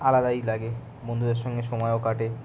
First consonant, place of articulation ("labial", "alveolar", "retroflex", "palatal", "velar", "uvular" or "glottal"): alveolar